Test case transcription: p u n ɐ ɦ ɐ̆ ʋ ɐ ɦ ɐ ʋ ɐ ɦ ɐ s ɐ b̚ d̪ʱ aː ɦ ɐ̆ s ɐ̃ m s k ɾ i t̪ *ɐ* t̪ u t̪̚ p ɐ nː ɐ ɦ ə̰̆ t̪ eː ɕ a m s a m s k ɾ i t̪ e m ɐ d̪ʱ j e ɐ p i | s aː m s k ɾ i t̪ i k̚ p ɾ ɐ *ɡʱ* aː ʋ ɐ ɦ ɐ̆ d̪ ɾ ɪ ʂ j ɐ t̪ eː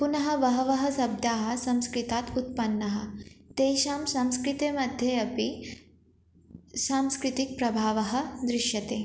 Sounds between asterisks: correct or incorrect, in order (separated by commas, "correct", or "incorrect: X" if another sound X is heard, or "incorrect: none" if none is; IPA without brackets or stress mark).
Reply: incorrect: a, incorrect: bʱ